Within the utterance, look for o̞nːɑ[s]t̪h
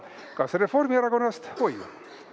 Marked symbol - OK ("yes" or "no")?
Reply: yes